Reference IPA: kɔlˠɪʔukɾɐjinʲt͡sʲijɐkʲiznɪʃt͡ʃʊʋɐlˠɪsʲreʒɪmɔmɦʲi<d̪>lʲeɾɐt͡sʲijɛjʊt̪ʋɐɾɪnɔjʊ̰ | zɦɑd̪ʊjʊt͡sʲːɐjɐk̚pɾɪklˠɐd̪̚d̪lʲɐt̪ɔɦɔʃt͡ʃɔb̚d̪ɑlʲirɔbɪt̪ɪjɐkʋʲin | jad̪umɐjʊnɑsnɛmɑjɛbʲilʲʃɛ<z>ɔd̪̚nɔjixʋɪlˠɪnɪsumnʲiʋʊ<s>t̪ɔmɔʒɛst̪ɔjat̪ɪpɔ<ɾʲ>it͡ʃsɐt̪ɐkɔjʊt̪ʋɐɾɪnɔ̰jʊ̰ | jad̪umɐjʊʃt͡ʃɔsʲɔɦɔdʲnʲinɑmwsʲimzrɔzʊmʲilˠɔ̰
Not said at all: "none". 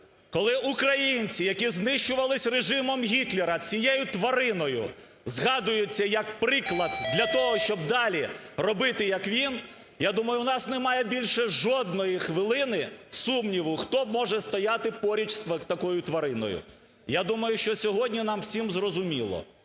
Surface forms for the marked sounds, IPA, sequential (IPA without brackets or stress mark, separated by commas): t̪, ʒ, x, ɾʲ